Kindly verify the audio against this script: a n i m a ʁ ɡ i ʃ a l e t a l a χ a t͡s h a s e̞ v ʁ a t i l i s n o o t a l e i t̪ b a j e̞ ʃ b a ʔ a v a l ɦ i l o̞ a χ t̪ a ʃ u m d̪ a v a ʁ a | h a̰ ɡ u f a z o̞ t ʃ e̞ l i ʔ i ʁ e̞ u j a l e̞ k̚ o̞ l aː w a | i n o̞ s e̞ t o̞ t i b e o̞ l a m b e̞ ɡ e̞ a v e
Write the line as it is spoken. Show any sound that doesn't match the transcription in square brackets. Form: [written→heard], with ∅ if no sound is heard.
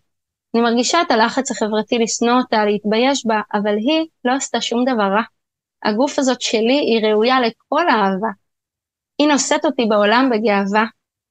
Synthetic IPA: a n i m a ʁ ɡ i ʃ a [l→∅] e t a l a χ a t͡s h a [s→χ] e̞ v ʁ a t i l i s n o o t a l e i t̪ b a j e̞ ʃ b a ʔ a v a l ɦ i l o̞ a [χ→s] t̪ a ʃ u m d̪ a v a ʁ a | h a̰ ɡ u f a z o̞ t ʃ e̞ l i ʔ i ʁ e̞ u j a l e̞ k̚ o̞ l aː [w→v] a | i n o̞ s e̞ t o̞ t i b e o̞ l a m b e̞ ɡ e̞ a v [e→a]